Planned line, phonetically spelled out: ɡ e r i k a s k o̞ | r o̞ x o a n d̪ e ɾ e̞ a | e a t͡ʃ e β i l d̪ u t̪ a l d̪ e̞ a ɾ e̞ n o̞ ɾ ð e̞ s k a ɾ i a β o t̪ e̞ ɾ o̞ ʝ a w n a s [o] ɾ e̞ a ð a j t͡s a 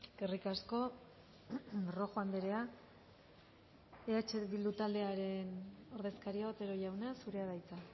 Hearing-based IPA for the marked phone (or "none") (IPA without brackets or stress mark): u